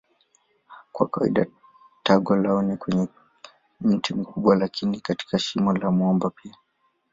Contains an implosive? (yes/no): yes